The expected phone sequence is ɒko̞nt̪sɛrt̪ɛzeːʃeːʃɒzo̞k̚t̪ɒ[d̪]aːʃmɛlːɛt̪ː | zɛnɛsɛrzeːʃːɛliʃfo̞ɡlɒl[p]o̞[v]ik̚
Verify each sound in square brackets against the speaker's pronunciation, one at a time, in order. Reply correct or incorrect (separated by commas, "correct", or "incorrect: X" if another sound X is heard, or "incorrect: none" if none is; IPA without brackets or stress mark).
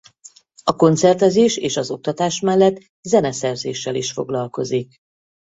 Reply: incorrect: t̪, incorrect: k, incorrect: z